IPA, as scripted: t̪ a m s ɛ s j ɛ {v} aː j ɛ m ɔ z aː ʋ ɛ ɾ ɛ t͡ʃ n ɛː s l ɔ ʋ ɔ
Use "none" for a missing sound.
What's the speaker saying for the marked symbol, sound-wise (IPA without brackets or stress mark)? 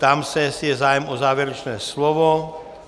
z